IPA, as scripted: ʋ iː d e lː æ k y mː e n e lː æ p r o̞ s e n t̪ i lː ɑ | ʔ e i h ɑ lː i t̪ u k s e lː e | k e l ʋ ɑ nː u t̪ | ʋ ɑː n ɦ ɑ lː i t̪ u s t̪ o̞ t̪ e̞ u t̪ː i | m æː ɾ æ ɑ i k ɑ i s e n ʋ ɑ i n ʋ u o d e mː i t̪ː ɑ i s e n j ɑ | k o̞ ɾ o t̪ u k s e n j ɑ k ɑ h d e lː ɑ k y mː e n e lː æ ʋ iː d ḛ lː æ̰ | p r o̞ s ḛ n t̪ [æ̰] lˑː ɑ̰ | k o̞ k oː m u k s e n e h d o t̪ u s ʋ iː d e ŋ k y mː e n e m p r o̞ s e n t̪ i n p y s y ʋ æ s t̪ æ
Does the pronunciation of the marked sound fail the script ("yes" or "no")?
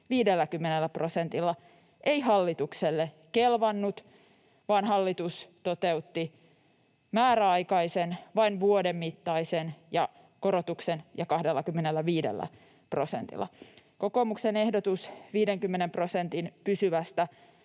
yes